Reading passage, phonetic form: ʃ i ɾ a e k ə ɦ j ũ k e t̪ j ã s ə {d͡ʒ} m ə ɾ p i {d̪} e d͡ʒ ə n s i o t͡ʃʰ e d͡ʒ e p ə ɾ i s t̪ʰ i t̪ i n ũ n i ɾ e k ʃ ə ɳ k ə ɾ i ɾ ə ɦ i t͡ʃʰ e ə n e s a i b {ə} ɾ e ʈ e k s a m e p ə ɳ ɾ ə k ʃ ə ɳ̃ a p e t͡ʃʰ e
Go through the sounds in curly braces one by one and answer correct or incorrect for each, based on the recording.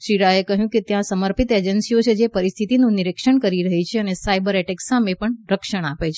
incorrect, incorrect, correct

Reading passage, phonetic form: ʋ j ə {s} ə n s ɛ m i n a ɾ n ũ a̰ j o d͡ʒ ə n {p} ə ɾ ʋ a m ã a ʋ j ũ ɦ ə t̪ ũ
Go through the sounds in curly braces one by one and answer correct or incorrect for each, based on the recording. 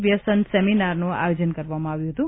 correct, incorrect

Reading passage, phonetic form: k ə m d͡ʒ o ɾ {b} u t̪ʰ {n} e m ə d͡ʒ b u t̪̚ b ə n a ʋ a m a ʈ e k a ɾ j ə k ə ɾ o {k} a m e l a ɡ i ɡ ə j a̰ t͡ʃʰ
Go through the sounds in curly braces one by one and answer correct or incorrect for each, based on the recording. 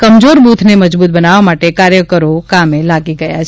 correct, correct, correct

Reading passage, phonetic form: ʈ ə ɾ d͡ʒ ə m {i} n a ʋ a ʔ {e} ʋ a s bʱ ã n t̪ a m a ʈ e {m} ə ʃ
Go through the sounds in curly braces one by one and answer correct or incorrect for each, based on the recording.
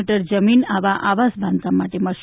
correct, incorrect, correct

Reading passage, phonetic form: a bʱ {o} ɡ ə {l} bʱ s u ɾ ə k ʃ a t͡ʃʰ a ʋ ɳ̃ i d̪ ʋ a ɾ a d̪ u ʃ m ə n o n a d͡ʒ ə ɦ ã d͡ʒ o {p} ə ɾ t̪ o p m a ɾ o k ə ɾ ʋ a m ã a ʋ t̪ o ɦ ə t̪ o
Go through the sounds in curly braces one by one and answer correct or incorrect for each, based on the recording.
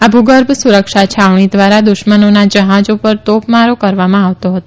incorrect, incorrect, correct

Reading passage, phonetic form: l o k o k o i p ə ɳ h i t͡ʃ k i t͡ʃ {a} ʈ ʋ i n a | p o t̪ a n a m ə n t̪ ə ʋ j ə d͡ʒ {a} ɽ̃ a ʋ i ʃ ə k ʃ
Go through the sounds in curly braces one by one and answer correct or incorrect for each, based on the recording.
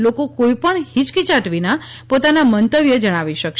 correct, incorrect

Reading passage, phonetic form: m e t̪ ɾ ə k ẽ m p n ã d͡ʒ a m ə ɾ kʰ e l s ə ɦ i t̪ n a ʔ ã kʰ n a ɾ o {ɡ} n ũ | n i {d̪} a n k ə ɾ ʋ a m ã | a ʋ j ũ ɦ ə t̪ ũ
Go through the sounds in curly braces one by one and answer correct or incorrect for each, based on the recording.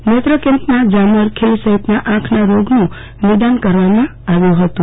correct, correct

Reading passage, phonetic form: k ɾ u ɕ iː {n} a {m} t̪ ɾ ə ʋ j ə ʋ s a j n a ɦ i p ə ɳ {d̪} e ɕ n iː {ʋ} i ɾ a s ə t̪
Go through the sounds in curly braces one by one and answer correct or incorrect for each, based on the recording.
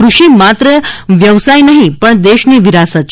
incorrect, incorrect, correct, correct

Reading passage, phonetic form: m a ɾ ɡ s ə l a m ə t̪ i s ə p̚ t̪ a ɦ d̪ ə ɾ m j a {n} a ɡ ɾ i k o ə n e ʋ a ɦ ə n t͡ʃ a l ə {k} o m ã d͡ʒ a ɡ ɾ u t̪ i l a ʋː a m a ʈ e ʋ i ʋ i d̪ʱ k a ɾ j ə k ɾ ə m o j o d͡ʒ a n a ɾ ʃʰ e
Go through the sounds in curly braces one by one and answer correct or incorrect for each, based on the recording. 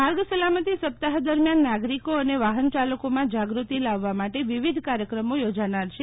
incorrect, correct

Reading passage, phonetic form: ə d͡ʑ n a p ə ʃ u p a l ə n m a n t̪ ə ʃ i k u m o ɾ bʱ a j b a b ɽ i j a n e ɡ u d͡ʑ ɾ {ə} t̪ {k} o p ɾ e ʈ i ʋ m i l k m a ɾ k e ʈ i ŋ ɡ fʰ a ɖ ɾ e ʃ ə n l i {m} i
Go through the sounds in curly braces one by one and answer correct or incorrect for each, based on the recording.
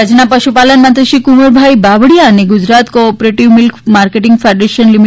incorrect, correct, correct

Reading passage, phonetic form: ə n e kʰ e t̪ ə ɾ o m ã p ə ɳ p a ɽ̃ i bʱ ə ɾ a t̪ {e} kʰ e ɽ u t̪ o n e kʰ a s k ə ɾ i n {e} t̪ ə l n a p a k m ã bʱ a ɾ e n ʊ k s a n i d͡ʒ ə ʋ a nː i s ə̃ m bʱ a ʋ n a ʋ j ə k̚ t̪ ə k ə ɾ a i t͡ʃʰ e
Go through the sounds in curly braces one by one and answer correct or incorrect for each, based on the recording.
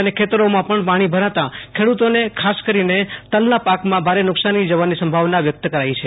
incorrect, correct

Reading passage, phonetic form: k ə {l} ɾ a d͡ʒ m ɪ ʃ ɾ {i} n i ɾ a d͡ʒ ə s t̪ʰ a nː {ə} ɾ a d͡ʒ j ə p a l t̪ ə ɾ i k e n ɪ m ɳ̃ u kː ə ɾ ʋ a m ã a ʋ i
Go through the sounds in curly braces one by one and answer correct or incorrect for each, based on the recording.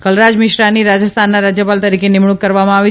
correct, incorrect, incorrect

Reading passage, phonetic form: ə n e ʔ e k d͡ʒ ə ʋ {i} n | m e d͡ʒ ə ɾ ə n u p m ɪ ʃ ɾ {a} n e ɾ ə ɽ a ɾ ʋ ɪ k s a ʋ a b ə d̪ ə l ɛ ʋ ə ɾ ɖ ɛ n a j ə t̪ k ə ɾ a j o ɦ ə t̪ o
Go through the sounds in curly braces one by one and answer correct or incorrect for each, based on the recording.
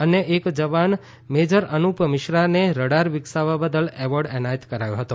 incorrect, correct

